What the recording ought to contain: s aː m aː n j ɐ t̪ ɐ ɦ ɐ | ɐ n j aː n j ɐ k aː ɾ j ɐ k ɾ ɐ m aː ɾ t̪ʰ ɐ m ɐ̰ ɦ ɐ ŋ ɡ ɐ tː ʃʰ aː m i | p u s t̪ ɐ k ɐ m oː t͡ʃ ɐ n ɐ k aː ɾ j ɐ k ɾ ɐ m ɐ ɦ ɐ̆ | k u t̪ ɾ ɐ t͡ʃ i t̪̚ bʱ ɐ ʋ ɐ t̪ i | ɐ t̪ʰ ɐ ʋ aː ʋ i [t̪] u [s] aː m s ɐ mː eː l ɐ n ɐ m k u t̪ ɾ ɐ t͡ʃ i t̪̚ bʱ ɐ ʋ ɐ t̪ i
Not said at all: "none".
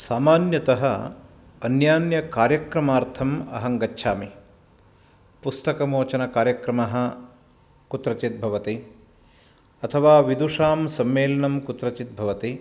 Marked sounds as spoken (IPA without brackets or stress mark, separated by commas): d̪, ʂ